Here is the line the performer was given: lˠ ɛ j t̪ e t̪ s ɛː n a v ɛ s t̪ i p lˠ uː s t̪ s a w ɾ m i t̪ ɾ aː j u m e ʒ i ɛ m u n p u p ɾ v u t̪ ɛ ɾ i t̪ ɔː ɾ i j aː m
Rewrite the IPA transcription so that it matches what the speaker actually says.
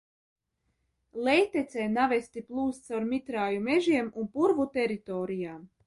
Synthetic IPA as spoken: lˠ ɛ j t̪ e t̪ s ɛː n a v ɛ s t̪ i p lˠ uː s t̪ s a w ɾ m i t̪ ɾ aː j u m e ʒ i ɛ m u n p u ɾ v u t̪ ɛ ɾ i t̪ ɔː ɾ i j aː m